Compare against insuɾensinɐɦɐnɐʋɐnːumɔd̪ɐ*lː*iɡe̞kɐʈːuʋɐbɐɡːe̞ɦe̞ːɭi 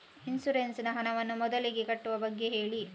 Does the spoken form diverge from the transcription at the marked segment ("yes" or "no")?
yes